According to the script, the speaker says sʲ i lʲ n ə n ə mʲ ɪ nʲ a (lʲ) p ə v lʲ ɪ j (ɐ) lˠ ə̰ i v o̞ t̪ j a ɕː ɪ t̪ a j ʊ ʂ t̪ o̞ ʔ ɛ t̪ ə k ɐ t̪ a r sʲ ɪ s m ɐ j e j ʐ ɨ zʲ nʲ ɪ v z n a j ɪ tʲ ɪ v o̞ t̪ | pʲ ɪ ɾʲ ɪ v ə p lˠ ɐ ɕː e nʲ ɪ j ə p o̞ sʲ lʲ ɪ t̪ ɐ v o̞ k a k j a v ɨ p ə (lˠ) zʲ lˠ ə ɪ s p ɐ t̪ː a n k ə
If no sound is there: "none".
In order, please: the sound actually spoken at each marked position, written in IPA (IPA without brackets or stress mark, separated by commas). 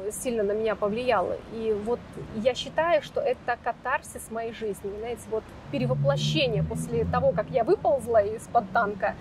none, a, lˠ